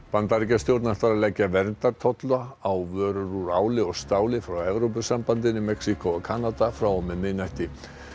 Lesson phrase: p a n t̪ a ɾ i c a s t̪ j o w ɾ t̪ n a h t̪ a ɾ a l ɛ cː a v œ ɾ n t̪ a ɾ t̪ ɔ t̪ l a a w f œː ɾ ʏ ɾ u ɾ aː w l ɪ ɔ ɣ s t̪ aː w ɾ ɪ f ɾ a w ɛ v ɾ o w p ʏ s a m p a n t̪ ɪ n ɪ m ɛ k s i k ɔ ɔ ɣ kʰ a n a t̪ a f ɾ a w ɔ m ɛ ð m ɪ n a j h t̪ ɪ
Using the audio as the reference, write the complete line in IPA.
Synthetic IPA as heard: p a n t̪ a ɾ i c a s t̪ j o w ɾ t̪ n a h t̪ a ɾ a l ɛ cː a v ɛ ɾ n t̪ a ɾ t̪ʰ ɔ t̪ l a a w v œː ɾ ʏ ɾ u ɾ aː w l ɪ ɔ ɣ s t̪ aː w l ɪ f ɾ a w ɛ v ɾ o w p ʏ s a m p a n t̪ ɪ n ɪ m ɛ k s i k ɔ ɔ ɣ kʰ a n a t̪ a f ɾ a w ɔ m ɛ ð m ɪ n a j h t̪ ɪ